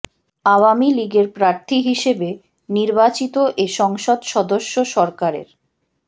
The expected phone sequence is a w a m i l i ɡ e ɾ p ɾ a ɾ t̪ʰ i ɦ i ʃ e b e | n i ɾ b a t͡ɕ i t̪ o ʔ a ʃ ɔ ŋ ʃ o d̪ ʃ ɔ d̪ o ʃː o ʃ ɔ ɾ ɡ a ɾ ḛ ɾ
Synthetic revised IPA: a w a m i l i ɡ e ɾ p ɾ a ɾ t̪ʰ i ɦ i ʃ e b e | n i ɾ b a t͡ɕ i t̪ o ʔ e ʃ ɔ ŋ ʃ o d̪ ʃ ɔ d̪ o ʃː o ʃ ɔ ɾ k a ɾ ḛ ɾ